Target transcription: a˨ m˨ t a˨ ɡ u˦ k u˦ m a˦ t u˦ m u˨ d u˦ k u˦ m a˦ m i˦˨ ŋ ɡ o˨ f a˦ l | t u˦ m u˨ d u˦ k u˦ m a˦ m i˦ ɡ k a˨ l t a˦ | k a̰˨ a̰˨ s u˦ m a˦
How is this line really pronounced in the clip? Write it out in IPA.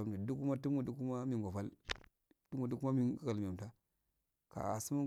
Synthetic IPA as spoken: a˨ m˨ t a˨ d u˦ k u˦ m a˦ t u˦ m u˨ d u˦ k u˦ m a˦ m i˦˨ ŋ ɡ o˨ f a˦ l | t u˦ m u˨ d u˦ k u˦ m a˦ m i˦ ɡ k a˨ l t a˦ | k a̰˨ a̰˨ s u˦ m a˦